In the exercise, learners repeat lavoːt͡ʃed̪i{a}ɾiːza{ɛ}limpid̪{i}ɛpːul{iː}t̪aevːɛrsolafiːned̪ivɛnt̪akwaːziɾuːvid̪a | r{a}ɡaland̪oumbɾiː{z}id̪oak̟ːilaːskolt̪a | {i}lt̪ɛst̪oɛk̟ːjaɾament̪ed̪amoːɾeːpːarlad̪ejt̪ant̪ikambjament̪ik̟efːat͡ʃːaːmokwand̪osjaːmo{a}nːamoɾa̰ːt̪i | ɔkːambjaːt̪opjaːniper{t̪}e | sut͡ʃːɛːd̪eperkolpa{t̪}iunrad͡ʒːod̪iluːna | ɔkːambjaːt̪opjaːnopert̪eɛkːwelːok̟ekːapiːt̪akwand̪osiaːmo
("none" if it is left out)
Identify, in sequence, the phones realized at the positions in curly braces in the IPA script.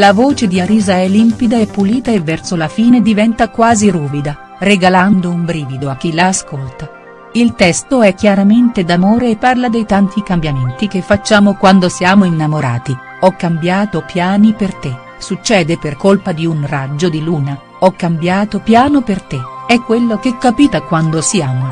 a, ɛ, a, iː, e, v, i, i, t̪, d̪

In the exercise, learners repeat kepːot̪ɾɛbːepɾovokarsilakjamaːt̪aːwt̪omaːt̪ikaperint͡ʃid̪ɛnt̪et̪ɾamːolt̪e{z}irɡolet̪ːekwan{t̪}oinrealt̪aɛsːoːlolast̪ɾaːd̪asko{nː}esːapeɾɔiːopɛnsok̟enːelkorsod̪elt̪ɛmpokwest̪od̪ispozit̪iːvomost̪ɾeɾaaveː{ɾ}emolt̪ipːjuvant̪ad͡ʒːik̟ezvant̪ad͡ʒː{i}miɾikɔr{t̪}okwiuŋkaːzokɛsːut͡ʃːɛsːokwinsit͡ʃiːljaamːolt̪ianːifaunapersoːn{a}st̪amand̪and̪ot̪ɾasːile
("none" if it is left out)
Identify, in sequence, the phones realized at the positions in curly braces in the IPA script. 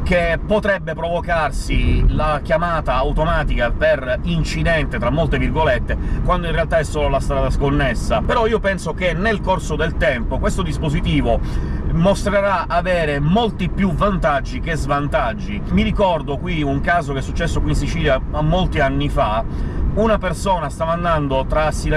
v, d̪, nː, ɾ, i, d̪, a

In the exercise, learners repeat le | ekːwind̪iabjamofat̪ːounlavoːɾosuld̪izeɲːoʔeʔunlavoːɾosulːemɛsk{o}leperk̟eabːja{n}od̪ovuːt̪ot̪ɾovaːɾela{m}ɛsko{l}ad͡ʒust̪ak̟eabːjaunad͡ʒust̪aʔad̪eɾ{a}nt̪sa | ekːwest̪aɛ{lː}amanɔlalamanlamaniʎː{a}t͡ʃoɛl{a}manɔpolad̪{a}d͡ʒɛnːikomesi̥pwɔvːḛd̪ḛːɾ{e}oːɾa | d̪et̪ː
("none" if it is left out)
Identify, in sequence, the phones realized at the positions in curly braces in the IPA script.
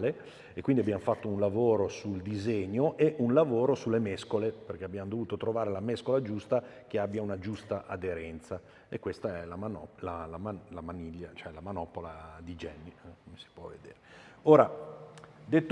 o, m, m, l, ɛ, l, a, a, i, e

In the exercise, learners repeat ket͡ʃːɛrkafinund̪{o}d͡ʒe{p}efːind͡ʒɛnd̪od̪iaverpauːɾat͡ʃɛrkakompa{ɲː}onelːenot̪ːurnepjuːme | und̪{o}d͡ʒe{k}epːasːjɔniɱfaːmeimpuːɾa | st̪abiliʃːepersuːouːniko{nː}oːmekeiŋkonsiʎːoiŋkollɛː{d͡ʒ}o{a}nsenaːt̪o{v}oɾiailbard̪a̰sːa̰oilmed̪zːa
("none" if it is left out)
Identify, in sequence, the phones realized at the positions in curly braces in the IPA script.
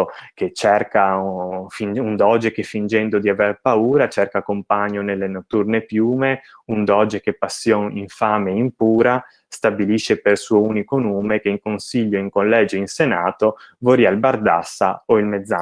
ɔ, k, ɲː, ɔ, k, n, d͡ʒ, i, v

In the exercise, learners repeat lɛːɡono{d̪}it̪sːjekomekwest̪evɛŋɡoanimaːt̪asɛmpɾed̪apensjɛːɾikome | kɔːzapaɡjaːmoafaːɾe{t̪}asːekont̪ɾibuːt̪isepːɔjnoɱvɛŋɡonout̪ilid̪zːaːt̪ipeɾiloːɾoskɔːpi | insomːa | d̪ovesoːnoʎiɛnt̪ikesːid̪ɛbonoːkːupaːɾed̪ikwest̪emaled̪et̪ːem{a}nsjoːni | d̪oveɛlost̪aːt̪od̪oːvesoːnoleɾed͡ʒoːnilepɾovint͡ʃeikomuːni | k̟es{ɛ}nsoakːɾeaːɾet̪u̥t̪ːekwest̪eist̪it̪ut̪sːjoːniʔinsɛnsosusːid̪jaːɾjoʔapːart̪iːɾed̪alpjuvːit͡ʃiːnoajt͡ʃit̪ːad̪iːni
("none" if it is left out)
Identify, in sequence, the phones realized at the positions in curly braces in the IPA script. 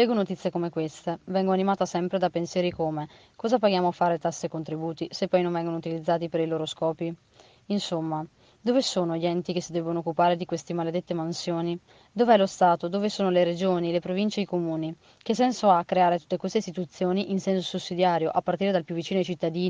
t̪, t̪, a, ɛ

